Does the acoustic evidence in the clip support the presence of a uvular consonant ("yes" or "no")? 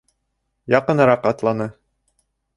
yes